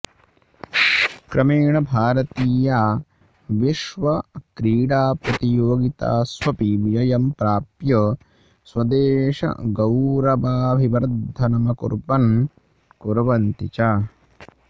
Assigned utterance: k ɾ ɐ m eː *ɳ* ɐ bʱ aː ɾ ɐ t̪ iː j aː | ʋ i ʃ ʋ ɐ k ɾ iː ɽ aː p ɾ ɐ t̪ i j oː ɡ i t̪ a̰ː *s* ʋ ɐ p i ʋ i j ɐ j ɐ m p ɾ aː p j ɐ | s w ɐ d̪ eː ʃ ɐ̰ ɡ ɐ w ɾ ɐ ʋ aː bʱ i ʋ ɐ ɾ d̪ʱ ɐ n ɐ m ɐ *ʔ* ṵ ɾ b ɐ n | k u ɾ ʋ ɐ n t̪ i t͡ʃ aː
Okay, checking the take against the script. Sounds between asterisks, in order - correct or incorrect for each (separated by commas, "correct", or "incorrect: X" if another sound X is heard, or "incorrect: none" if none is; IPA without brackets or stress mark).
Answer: correct, correct, incorrect: k